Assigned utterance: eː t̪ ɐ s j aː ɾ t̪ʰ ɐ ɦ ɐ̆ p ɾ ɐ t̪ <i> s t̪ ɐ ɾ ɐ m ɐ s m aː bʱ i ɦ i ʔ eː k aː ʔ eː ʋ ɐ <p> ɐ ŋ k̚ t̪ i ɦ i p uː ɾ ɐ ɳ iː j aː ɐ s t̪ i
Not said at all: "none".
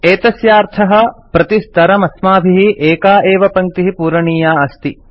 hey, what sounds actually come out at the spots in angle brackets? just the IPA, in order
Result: i, p

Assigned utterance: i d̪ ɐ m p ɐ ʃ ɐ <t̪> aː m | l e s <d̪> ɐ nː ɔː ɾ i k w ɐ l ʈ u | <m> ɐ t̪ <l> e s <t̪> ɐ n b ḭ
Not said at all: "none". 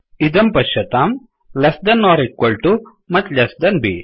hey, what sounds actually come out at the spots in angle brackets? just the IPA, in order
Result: t̪, d̪, m, l, d̪

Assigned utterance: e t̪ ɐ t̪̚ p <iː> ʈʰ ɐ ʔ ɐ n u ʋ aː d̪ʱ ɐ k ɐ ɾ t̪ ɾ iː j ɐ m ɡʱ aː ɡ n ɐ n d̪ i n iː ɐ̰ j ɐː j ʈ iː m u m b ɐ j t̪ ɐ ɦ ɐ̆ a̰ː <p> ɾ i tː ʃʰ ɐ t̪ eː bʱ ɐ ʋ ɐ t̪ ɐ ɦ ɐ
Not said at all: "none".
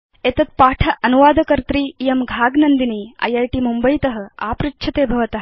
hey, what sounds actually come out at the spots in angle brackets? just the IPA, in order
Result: aː, p

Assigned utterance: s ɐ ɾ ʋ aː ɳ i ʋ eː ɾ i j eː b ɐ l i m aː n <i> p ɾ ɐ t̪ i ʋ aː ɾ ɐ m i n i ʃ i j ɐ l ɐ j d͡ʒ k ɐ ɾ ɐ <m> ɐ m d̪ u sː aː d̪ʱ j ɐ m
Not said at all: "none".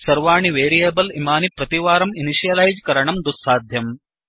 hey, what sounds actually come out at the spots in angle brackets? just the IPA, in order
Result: i, ɳ

